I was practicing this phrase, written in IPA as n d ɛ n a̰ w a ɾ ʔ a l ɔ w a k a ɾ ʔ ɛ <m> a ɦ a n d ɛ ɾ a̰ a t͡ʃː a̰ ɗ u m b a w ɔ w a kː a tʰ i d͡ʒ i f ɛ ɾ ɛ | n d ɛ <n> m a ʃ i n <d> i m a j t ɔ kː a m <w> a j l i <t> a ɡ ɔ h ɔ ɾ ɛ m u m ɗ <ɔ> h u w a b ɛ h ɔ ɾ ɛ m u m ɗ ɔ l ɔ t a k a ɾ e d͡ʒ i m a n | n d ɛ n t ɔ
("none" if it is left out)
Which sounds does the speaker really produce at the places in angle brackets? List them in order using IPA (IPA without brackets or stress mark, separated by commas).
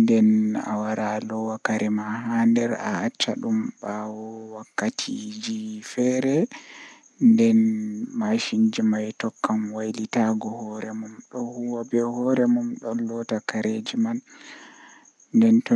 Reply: m, n, d͡ʒ, w, t, ɔ